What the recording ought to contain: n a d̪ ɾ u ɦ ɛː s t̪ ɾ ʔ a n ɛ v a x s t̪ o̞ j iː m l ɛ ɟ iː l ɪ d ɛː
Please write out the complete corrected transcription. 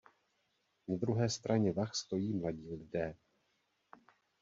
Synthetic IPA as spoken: n a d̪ ɾ u ɦ ɛː s t̪ ɾ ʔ a ɲ ɛ v a x s t̪ o̞ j iː m l a ɟ iː l ɪ d ɛː